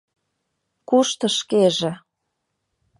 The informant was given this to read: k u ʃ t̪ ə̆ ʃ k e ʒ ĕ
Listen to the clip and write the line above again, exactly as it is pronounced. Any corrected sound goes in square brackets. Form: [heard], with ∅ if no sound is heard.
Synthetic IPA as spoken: k u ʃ t̪ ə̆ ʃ k e ʒ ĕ